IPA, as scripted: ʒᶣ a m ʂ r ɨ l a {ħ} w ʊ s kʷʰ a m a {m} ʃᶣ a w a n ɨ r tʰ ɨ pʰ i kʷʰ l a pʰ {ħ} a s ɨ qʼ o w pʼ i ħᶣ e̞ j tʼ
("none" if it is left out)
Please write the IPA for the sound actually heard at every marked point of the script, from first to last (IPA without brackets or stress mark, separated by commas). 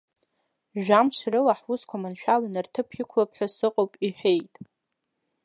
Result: ħ, n, ħ